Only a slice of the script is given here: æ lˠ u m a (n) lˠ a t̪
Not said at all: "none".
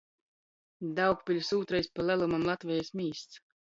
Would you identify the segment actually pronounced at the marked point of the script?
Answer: m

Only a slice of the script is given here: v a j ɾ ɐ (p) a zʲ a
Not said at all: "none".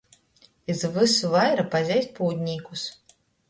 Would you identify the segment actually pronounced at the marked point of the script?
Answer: p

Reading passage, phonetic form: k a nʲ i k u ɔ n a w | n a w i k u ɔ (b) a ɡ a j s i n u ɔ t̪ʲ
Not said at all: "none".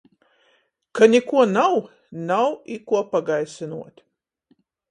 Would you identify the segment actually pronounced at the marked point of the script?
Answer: p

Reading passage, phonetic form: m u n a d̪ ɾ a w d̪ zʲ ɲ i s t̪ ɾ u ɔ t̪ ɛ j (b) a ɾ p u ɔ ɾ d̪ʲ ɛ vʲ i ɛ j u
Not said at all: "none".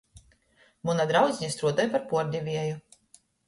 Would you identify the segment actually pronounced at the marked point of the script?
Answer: p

